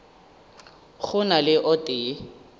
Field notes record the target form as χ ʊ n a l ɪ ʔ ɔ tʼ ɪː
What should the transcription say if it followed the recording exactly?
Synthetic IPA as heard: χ ʊ n a l ɪ ʔ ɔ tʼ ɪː

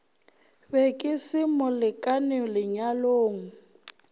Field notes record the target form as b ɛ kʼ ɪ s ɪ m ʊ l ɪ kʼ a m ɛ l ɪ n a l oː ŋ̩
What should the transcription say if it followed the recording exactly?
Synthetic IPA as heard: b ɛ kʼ ɪ s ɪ m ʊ l ɪ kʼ a n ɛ l ɪ ɲ a l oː ŋ̩

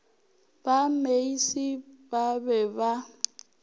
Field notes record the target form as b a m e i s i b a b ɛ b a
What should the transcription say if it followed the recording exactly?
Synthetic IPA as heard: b a m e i s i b a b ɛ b a

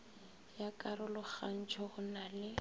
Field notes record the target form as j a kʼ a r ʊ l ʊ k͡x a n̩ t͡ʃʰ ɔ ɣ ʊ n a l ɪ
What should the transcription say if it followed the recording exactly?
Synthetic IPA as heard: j a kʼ a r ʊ l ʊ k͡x a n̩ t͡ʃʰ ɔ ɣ ʊ n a l ɪ

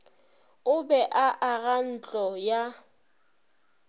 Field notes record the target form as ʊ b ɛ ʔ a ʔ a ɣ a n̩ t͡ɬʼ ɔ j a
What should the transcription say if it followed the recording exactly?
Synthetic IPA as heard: ʊ b ɛ ʔ a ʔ a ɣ a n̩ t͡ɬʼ ɔ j a

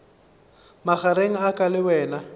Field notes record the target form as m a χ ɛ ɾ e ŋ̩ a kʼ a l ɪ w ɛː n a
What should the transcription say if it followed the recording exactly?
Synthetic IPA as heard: m a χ a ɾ e ŋ̩ a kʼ a l ɪ w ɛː n a

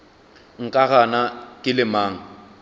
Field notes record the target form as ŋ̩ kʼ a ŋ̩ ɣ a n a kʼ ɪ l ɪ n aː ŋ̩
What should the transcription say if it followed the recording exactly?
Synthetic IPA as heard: ŋ̩ kʼ a ɣ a n a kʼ ɪ l ɪ m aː ŋ̩

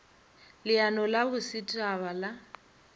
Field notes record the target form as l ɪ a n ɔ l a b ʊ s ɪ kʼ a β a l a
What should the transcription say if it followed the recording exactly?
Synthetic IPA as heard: l ɪ a n ɔ l a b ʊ s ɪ tʼ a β a l a

